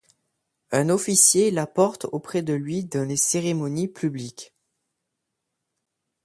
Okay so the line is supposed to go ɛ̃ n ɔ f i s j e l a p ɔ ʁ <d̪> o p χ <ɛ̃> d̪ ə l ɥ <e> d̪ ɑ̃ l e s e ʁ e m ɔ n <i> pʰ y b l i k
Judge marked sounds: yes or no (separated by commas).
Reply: no, no, no, yes